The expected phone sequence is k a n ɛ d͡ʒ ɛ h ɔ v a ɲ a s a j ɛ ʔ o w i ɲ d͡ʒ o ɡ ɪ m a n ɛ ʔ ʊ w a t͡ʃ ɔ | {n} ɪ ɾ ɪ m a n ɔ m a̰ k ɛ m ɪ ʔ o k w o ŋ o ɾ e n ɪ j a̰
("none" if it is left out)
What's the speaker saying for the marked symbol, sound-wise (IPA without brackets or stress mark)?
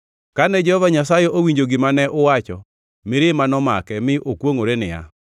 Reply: m